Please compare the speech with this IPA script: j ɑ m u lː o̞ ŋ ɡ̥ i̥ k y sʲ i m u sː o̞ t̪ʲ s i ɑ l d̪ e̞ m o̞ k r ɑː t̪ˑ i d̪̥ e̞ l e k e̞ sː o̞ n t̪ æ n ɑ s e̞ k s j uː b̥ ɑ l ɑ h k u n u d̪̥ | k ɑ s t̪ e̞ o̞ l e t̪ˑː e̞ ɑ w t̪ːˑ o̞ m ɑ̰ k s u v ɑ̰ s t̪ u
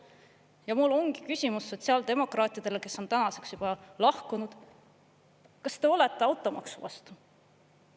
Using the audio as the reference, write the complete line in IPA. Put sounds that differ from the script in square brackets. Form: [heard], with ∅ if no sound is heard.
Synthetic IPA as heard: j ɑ m u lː o̞ ŋ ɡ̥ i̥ k y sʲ i m u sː o̞ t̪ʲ s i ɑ l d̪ e̞ m o̞ k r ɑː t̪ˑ i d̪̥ e̞ l e k e̞ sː o̞ n t̪ æ n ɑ s e̞ k s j [u] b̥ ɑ l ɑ h k u n u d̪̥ | k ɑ s t̪ e̞ o̞ l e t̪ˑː e̞ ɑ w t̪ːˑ o̞ m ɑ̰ k s u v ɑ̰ s t̪ u